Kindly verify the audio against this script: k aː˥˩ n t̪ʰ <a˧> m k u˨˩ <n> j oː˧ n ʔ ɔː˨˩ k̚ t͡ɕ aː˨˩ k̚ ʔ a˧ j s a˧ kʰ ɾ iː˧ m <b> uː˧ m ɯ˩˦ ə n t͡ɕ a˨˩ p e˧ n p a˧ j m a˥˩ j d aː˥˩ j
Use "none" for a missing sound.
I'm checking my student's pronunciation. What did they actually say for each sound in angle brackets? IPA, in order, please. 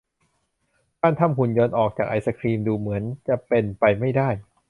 a˧˥˩, n, d

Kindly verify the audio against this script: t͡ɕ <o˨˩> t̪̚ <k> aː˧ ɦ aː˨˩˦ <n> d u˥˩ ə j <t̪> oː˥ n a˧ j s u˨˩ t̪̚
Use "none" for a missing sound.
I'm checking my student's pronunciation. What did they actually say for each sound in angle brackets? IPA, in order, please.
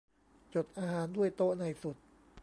o˨˩, ʔ, n, t̪

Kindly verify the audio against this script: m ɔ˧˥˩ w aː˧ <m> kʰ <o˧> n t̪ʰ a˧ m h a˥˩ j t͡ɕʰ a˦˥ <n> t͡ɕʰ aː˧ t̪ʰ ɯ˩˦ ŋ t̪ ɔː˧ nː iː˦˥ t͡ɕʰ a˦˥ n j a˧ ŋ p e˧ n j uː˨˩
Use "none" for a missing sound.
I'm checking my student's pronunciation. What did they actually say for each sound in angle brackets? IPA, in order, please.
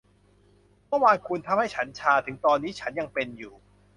n, u˧, n

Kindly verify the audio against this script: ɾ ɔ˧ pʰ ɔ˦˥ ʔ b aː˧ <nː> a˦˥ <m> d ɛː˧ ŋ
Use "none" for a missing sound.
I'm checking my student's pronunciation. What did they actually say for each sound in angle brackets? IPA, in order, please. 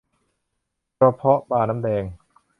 n, m

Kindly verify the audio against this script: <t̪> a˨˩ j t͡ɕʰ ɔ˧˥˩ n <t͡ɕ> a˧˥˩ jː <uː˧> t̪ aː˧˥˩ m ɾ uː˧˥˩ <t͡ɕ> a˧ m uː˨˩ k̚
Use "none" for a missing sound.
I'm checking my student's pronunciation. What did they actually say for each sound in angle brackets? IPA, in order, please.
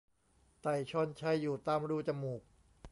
t̪, t͡ɕʰ, uː˨˩, t͡ɕ

